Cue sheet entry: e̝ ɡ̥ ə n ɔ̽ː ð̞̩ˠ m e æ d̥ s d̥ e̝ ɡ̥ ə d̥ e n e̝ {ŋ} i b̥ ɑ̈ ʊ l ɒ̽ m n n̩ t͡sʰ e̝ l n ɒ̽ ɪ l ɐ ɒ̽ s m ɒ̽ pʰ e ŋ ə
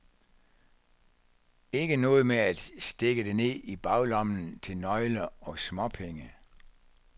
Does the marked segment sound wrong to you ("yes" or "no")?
yes